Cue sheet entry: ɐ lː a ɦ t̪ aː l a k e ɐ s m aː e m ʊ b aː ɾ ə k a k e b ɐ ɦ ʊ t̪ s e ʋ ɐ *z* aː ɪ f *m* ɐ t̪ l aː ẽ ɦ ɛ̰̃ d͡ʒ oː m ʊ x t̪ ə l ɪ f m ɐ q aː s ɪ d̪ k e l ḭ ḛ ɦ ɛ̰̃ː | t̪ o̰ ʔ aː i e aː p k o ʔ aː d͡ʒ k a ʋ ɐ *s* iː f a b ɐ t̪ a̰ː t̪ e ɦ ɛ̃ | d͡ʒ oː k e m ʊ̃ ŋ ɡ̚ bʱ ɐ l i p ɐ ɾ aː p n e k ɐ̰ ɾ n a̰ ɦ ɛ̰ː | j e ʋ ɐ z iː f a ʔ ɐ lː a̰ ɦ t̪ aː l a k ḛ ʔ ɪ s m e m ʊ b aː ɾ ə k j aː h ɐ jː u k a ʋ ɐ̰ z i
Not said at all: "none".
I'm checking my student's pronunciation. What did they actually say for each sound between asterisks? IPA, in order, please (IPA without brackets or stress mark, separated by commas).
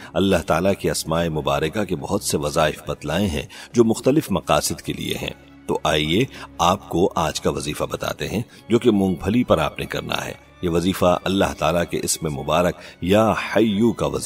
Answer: z, b, z